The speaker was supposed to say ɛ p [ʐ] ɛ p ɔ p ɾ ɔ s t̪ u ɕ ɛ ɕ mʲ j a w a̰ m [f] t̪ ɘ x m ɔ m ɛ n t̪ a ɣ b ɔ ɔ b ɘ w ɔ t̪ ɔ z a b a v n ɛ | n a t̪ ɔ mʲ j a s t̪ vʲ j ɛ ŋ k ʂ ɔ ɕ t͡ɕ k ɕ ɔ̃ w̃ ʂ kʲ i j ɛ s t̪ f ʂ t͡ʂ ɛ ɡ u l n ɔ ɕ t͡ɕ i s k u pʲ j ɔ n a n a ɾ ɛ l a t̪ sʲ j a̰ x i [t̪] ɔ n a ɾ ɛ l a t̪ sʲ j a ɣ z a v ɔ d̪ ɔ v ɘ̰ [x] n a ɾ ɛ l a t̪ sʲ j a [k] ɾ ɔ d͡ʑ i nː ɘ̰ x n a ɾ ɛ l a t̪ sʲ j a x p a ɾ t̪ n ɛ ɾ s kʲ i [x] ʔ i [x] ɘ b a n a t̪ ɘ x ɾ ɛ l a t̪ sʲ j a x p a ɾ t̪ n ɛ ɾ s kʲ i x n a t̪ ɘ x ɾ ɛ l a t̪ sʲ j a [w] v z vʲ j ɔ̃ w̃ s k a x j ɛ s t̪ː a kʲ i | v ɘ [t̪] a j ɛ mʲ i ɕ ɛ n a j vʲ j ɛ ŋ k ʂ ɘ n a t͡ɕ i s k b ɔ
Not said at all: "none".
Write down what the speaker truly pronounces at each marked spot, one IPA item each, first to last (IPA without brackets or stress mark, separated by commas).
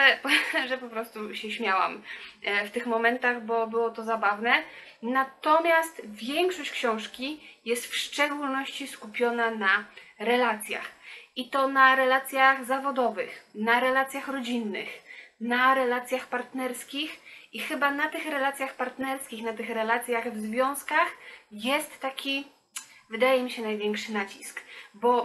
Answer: ʐ, f, t̪, x, x, x, x, ɣ, d̪